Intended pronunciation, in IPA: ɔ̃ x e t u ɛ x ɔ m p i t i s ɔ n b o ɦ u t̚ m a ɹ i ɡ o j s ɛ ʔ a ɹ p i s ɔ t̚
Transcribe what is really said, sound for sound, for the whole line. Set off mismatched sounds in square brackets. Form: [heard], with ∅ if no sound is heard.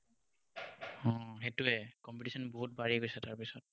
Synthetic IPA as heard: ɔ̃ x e t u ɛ [k] ɔ m p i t i s ɔ n b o ɦ u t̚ [b] a ɹ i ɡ o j s ɛ [t] a ɹ p i s ɔ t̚